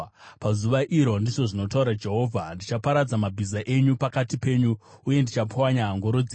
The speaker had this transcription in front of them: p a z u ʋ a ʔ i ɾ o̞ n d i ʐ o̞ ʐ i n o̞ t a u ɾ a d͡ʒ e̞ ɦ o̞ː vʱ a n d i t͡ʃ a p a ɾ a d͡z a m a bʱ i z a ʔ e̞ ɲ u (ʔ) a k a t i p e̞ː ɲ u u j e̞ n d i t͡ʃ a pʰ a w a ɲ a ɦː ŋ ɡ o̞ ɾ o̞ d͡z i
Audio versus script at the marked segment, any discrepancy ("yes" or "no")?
yes